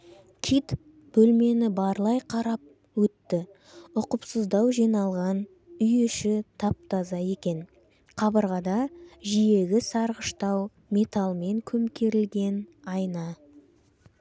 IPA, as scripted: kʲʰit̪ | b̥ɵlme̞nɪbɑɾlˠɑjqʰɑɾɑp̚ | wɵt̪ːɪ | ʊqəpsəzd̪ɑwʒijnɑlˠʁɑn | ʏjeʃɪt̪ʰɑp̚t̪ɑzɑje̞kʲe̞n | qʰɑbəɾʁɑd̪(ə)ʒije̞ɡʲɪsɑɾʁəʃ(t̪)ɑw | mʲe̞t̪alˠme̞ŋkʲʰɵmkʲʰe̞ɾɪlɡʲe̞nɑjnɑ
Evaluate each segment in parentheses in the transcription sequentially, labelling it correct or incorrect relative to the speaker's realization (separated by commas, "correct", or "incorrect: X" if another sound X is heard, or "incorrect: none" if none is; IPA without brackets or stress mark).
incorrect: ɑ, correct